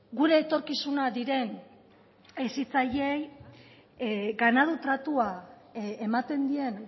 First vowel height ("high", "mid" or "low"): high